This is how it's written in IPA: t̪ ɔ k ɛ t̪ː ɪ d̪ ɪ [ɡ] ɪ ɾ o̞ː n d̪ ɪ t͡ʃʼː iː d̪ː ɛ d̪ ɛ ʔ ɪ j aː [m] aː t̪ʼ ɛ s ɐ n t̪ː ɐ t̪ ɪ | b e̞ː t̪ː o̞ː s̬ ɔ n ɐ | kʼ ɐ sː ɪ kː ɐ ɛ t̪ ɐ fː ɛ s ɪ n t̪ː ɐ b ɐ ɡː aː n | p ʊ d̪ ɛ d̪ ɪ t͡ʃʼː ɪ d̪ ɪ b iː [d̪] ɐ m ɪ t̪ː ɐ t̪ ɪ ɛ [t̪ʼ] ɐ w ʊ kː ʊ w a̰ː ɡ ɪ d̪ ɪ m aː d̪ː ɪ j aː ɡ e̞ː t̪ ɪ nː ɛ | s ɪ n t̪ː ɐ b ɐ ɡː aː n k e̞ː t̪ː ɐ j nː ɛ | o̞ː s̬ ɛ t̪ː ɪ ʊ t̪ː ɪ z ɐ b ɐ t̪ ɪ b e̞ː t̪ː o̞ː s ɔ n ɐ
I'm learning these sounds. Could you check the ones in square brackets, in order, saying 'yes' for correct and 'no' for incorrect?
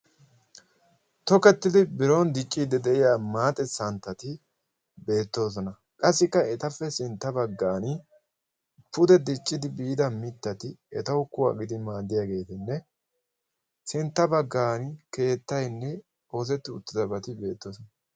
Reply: no, yes, yes, no

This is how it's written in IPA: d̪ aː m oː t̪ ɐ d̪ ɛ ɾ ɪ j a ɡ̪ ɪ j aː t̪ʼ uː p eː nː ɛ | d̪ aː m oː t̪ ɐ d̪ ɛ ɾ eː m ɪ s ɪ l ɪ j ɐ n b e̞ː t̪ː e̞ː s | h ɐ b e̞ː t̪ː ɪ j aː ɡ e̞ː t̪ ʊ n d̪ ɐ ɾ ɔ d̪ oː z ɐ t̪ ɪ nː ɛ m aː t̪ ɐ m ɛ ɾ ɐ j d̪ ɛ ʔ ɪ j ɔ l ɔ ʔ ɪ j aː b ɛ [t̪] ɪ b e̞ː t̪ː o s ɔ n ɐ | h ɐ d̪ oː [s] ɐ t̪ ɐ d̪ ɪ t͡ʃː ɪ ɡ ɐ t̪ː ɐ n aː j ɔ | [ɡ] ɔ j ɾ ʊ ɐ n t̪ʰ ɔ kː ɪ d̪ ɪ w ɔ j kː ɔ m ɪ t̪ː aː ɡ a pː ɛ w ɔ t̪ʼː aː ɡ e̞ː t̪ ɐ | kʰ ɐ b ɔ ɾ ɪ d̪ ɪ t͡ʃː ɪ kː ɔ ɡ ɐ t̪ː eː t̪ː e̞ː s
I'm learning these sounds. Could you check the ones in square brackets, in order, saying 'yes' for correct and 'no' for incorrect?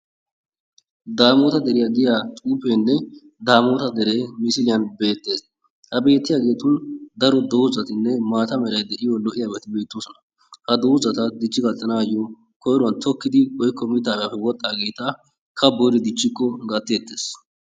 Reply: yes, no, no

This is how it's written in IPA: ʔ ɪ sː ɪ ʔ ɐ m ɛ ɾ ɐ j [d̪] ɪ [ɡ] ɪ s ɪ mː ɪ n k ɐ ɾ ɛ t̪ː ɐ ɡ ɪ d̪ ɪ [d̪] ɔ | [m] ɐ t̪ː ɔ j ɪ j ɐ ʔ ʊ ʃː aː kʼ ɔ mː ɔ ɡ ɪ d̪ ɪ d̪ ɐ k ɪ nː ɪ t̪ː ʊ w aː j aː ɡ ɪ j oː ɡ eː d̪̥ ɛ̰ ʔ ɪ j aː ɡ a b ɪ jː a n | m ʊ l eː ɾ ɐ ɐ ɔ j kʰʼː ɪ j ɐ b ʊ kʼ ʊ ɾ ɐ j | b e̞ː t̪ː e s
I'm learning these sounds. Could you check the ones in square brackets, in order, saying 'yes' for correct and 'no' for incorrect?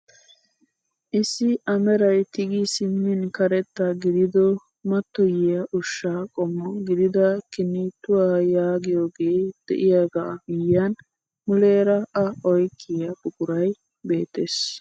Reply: no, yes, yes, yes

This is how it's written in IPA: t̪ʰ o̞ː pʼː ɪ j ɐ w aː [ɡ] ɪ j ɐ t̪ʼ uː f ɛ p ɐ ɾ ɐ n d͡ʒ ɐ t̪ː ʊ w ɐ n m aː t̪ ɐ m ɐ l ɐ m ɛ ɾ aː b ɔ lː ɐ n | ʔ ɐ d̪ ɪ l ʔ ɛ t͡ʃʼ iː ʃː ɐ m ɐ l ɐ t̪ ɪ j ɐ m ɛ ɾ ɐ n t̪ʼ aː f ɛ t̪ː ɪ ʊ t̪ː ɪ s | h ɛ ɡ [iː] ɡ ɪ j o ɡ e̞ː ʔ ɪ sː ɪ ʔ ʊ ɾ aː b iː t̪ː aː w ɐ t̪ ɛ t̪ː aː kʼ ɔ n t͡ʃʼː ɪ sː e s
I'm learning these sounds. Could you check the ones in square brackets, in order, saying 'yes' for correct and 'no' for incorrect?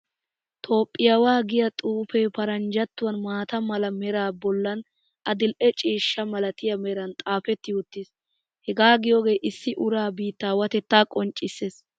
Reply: yes, no

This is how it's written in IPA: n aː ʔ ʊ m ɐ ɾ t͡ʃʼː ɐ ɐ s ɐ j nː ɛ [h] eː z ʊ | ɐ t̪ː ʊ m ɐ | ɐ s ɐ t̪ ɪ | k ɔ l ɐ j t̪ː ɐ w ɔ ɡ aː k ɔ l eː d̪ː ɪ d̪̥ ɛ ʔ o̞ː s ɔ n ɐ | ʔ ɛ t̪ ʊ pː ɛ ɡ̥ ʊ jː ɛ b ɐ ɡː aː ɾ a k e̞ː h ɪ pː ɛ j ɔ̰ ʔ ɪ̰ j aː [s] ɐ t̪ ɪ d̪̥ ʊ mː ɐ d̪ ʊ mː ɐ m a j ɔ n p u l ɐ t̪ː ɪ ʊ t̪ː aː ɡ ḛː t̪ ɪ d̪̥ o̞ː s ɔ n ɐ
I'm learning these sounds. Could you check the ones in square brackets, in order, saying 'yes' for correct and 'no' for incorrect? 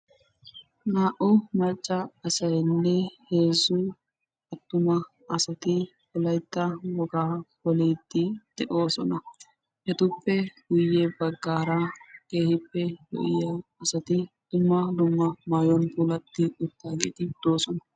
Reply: yes, yes

